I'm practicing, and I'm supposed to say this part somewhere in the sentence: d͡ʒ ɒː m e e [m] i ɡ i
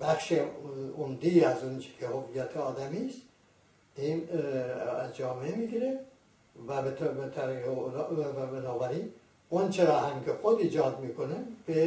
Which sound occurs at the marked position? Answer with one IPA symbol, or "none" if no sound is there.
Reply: m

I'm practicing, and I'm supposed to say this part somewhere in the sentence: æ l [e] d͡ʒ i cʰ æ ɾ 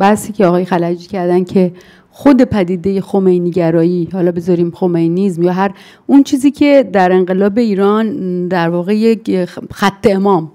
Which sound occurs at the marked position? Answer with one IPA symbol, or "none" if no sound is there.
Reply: æ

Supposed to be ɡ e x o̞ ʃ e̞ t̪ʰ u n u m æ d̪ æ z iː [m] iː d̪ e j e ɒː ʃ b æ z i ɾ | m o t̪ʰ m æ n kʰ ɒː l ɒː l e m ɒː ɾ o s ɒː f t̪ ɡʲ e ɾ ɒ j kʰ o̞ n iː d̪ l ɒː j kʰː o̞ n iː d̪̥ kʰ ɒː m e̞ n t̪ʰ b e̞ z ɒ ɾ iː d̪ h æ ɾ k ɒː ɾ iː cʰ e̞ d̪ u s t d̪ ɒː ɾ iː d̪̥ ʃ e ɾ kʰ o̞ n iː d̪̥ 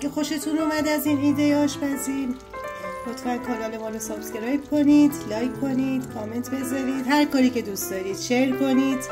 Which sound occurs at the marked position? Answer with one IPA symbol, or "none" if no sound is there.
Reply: n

